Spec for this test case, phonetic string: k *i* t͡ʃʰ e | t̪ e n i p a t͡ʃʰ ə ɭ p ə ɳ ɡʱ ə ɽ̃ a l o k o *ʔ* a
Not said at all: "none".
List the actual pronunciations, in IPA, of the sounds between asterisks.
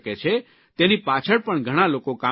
e, k

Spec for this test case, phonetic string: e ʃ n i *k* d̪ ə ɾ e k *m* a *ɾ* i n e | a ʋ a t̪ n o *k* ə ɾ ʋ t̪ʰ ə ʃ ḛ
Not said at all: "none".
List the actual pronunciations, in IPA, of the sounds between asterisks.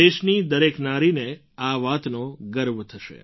none, n, ɾ, ɡ

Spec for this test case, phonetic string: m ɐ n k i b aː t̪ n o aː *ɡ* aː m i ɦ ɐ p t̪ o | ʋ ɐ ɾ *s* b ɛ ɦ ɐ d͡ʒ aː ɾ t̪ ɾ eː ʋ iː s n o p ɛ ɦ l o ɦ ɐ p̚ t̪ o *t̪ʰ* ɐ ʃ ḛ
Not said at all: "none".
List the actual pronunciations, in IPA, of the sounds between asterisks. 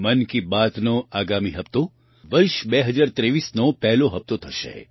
ɡ, ʃ, t̪ʰ

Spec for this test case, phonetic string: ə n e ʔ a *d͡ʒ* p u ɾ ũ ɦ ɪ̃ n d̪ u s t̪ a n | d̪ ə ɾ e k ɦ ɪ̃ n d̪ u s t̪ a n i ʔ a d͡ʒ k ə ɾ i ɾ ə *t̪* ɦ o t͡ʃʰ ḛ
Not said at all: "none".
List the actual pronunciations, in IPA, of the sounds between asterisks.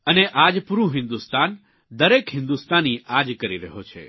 d͡ʒ, none

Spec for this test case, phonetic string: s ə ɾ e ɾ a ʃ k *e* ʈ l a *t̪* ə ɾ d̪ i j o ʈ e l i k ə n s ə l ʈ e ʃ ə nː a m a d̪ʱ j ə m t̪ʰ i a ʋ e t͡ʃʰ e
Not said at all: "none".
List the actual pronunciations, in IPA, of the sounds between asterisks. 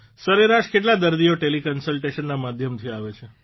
e, d̪

